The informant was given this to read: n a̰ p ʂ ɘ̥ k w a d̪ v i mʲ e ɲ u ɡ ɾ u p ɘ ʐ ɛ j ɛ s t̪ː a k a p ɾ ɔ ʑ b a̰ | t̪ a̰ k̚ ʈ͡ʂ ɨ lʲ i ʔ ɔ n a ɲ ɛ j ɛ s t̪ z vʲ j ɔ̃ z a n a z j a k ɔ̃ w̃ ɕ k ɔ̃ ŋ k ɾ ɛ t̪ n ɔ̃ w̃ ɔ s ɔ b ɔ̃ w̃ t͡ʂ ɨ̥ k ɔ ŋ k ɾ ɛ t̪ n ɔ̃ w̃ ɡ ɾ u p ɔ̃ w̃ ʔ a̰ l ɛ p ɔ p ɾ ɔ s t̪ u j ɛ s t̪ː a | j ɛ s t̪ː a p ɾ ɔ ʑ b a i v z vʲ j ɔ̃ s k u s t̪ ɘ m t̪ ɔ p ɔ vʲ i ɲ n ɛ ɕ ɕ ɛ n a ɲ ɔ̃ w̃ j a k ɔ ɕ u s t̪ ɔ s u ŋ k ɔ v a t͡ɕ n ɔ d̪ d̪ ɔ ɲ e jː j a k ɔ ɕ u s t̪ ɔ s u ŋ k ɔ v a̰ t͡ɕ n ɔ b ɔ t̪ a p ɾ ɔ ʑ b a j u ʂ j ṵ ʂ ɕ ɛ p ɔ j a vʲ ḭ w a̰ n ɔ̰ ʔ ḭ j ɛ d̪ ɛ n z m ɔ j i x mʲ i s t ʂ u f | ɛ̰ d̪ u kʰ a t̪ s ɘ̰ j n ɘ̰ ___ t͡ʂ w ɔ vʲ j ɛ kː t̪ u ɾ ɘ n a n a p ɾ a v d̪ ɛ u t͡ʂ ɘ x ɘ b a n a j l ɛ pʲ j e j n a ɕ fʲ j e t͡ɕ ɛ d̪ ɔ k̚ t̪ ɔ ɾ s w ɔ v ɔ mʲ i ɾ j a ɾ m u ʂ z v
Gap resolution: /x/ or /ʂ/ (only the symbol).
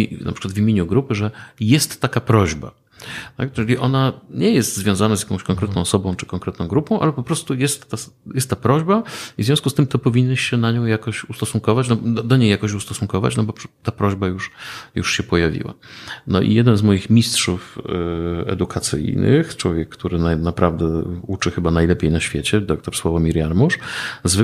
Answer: x